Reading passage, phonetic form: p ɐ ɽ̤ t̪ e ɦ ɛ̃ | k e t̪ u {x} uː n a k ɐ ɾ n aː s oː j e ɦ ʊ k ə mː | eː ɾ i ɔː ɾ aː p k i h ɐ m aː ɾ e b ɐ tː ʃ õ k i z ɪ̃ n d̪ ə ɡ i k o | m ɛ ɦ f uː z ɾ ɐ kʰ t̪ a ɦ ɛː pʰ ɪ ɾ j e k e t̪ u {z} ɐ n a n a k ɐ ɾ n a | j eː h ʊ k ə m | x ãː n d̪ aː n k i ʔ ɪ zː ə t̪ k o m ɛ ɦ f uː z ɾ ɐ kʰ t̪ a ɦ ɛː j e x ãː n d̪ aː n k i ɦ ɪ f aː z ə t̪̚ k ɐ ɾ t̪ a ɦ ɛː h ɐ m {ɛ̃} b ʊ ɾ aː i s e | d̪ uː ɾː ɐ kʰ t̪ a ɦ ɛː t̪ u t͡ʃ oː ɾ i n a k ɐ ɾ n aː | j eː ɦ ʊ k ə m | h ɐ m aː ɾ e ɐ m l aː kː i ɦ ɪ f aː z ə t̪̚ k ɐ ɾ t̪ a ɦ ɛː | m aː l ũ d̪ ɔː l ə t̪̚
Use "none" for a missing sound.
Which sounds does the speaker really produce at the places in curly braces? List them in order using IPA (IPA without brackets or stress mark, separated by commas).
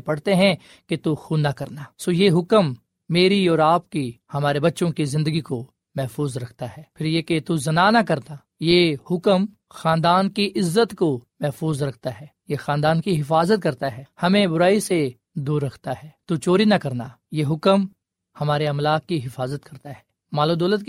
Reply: x, z, ẽ